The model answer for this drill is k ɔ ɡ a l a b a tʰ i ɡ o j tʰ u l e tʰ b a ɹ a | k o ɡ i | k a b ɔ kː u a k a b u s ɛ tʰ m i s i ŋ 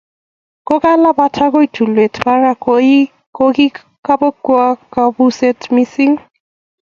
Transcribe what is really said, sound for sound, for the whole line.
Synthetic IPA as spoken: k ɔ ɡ a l a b a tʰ a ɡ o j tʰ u l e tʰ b a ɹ a | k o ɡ i | k a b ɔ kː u a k a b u s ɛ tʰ m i s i ŋ